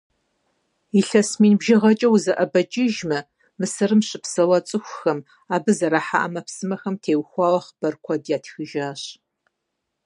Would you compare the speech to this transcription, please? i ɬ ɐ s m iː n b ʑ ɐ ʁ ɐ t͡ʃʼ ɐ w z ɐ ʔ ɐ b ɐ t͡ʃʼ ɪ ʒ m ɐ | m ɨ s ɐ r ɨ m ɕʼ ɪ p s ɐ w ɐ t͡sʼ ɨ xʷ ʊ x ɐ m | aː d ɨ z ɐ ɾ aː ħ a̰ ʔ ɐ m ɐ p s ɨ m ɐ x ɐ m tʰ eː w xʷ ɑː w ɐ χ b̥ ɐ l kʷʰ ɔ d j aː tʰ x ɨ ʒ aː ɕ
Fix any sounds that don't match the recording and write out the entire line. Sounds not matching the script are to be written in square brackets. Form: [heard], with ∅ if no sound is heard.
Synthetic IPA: i ɬ ɐ s m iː n b [ʒ] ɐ ʁ ɐ t͡ʃʼ ɐ w z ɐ ʔ ɐ b ɐ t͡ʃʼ ɪ ʒ m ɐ | m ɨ s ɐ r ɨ m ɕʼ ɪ p s ɐ w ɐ t͡sʼ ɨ xʷ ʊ x ɐ m | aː [b] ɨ z ɐ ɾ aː ħ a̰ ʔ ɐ m ɐ p s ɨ m ɐ x ɐ m tʰ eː w xʷ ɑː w ɐ χ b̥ ɐ [r] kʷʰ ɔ d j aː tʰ x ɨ ʒ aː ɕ

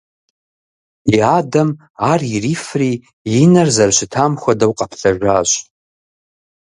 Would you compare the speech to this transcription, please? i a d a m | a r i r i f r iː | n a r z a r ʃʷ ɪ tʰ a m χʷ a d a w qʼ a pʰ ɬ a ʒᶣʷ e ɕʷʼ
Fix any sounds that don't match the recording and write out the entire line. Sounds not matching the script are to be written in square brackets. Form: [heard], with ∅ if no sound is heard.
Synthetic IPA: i a d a m | a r i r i f r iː | n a r z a r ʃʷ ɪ tʰ a m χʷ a d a w qʼ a pʰ ɬ a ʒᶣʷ [a] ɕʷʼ

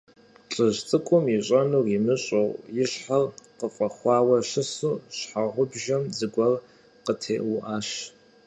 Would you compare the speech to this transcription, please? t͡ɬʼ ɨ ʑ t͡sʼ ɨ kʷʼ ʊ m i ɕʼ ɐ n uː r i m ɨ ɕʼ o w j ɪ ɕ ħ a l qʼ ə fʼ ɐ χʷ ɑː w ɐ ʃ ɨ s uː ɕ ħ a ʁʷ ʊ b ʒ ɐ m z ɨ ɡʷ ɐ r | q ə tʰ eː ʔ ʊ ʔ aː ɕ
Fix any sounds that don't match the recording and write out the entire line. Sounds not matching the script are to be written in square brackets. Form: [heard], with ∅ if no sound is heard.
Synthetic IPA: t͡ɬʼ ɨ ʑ t͡sʼ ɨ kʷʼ ʊ m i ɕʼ ɐ n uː r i m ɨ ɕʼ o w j ɪ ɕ ħ a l [q] ə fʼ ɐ χʷ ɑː w ɐ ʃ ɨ s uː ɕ ħ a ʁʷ ʊ b ʒ ɐ m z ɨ ɡʷ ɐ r | q ə tʰ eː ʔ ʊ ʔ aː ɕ

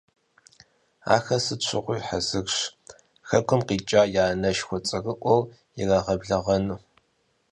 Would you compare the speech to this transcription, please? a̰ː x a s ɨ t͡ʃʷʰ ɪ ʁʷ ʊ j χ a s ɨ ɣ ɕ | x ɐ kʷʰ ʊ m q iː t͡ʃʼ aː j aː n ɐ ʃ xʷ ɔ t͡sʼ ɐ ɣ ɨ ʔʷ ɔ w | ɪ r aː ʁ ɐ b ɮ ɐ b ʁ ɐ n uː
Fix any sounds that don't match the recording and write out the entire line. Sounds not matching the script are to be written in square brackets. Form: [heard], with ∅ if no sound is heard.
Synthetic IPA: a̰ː x [ɐ] s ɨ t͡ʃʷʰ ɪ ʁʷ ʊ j [ħ] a [z] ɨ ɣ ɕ | x ɐ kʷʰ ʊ m q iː t͡ʃʼ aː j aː n ɐ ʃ xʷ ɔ t͡sʼ ɐ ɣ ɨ ʔʷ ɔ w | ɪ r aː ʁ ɐ b ɮ ɐ [∅] ʁ ɐ n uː

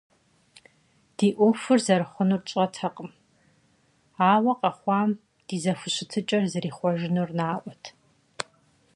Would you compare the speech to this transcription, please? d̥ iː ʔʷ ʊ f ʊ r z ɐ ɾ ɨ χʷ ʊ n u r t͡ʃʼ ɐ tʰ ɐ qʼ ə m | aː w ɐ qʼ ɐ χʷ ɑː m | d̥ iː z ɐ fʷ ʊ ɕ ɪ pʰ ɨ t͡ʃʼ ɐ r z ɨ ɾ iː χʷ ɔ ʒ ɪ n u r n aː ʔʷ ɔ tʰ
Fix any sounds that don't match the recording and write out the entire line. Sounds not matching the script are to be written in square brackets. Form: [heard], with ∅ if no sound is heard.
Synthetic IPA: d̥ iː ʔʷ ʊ f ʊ r z ɐ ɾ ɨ χʷ ʊ n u r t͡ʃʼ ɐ tʰ ɐ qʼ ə m | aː w ɐ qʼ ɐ χʷ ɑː m | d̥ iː z ɐ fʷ ʊ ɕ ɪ [tʰ] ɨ t͡ʃʼ ɐ r z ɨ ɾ iː χʷ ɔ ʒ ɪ n u r n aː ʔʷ ɔ tʰ

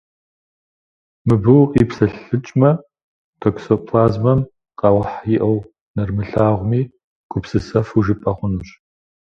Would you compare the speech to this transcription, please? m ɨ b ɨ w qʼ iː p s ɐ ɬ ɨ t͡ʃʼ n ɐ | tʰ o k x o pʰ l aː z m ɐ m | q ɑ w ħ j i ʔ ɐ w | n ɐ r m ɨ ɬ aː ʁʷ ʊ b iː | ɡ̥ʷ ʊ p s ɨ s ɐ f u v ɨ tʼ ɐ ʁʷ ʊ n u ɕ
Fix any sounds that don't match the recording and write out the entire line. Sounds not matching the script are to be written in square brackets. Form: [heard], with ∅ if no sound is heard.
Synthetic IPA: m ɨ b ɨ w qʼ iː p s ɐ ɬ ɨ t͡ʃʼ [m] ɐ | tʰ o k [s] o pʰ l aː z m ɐ m | q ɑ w ħ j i ʔ ɐ w | n ɐ r m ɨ ɬ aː ʁʷ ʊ [m] iː | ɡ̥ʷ ʊ p s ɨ s ɐ f u [ʒ] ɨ [pʼ] ɐ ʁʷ ʊ n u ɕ

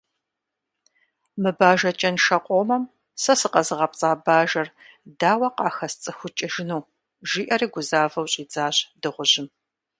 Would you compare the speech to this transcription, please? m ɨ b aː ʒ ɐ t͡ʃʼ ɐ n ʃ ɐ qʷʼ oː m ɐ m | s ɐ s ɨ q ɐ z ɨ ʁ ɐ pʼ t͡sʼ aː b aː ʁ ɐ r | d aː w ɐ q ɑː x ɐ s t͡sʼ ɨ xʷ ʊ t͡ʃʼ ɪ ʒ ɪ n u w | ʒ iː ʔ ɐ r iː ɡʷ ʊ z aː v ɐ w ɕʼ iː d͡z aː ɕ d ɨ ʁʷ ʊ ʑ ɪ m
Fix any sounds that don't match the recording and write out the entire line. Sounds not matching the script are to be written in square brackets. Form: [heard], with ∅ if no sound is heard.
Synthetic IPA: m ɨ b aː ʒ ɐ t͡ʃʼ ɐ n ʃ ɐ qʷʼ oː m ɐ m | s ɐ s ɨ q ɐ z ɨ ʁ ɐ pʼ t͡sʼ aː b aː [ʒ] ɐ r | d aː w ɐ q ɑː x ɐ s t͡sʼ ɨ xʷ ʊ t͡ʃʼ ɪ ʒ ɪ n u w | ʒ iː ʔ ɐ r iː ɡʷ ʊ z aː v ɐ w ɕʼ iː d͡z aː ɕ d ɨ ʁʷ ʊ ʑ ɪ m

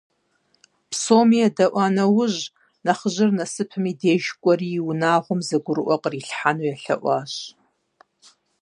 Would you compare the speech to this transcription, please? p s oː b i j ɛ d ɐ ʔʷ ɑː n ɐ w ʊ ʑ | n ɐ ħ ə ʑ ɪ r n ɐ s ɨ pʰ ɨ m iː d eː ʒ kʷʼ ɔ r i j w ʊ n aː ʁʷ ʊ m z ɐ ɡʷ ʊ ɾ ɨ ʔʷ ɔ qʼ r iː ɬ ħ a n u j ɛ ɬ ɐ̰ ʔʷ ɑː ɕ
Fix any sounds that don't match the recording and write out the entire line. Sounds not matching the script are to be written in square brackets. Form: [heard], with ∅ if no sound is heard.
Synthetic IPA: p s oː [m] i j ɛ d ɐ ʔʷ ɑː n ɐ w ʊ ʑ | n ɐ [χ] ə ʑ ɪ r n ɐ s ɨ pʰ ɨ m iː d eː ʒ kʷʼ ɔ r i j w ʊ n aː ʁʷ ʊ m z ɐ ɡʷ ʊ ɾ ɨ ʔʷ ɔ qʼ r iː ɬ ħ a n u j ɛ ɬ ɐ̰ ʔʷ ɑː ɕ

